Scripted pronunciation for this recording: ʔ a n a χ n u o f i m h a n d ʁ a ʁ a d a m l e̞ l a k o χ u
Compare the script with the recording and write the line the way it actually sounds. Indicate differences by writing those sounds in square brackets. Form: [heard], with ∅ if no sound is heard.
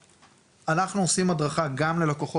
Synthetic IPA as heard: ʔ a n a χ n u o [s] i m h a [∅] d ʁ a [χ] a [ɡ] a m l e̞ l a k o χ [o]